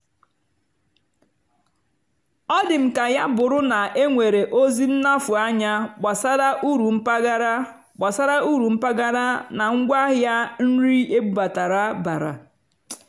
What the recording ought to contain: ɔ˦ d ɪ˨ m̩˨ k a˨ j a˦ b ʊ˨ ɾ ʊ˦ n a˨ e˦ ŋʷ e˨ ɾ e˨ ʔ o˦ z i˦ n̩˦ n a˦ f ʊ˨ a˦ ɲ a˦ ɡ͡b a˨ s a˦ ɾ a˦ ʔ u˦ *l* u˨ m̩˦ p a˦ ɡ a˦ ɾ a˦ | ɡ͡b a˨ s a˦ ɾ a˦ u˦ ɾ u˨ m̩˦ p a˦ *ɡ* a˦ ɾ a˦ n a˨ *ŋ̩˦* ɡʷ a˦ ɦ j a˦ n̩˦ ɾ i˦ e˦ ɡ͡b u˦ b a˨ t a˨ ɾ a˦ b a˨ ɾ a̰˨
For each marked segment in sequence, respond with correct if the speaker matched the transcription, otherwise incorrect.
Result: incorrect, correct, correct

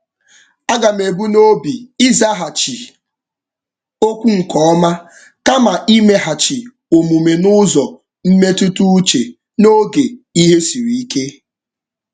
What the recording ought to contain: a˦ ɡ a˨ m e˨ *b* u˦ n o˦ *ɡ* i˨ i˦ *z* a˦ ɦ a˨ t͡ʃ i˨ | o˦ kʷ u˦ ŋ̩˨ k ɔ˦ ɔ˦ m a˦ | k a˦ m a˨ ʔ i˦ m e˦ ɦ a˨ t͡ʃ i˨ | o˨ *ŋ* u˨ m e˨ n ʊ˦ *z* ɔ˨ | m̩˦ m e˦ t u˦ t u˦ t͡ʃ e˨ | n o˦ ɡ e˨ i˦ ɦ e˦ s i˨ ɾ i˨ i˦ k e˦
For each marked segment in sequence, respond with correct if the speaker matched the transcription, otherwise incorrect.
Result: correct, incorrect, correct, incorrect, correct

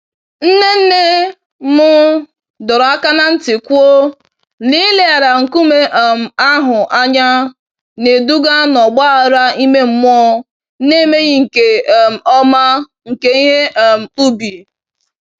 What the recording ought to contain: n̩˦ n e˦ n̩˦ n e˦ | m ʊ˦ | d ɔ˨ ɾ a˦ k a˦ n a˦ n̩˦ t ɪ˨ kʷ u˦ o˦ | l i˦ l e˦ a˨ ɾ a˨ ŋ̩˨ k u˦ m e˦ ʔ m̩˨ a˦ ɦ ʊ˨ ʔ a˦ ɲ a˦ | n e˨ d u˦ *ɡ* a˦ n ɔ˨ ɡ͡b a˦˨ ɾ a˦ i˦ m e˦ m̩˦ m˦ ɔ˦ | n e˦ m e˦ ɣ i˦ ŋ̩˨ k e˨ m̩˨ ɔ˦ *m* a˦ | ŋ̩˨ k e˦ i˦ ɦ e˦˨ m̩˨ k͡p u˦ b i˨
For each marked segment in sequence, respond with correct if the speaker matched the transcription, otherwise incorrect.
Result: correct, correct

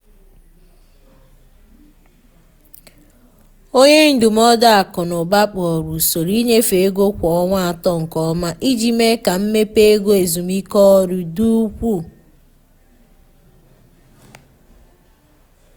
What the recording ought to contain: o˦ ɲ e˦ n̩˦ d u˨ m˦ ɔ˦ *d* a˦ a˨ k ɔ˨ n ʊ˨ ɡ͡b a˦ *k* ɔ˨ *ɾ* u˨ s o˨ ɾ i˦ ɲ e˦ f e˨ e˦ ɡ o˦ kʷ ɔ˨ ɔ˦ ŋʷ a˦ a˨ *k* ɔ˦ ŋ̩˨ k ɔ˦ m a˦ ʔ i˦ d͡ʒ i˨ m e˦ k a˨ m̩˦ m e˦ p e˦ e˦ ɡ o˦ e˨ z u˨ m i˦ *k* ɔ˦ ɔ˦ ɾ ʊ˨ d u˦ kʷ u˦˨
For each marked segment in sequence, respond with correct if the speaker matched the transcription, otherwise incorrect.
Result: correct, incorrect, correct, incorrect, correct

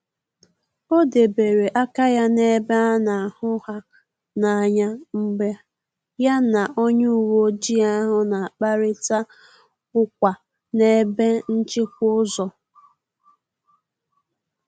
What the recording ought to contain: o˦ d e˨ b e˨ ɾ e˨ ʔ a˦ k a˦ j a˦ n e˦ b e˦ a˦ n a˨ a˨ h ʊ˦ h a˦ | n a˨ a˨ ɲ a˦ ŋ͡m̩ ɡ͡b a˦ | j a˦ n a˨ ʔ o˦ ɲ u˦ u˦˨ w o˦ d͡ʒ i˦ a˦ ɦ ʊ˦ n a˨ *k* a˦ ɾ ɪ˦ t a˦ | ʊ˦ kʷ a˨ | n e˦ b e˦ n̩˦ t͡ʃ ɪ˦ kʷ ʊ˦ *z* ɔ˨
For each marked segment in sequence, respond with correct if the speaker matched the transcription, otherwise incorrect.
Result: incorrect, correct

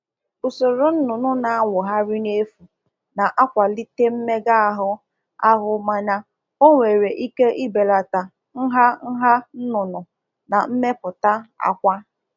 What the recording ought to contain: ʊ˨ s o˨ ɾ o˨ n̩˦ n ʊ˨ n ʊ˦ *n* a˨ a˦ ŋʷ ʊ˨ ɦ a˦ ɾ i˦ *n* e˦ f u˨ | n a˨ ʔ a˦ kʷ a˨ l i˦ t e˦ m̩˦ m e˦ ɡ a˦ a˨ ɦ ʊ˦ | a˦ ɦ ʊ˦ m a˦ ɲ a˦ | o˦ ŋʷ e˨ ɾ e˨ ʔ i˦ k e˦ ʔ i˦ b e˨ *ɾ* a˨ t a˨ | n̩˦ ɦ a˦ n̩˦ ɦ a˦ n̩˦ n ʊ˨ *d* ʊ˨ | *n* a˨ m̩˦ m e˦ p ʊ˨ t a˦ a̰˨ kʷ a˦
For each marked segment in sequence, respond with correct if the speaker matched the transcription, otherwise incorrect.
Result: correct, correct, incorrect, incorrect, correct

